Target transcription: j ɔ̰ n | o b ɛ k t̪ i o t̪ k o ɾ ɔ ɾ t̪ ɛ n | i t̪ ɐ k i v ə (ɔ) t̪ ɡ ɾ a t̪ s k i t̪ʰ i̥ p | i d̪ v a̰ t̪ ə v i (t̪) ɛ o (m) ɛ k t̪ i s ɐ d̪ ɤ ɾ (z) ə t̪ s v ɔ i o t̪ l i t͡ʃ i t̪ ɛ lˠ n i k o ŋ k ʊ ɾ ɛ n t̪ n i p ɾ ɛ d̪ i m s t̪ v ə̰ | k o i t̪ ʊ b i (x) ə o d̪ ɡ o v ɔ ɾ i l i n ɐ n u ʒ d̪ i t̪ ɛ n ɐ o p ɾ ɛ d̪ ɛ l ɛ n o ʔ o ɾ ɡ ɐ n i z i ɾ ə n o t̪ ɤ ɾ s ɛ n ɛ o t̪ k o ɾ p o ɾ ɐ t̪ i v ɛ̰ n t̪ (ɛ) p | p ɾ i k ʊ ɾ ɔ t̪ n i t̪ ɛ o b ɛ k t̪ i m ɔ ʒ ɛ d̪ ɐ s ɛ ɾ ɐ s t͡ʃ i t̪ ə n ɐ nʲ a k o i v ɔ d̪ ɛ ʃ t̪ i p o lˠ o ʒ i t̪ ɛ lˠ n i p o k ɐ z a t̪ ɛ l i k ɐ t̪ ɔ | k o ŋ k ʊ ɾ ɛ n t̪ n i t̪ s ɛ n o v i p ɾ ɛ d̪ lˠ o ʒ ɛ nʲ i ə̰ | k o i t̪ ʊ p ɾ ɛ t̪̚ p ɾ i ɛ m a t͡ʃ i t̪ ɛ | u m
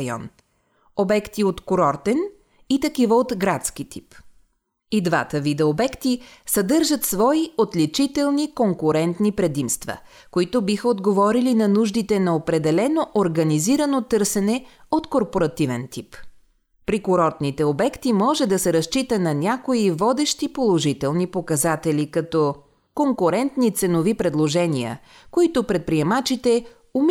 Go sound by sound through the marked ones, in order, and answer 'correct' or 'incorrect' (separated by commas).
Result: incorrect, incorrect, incorrect, incorrect, correct, incorrect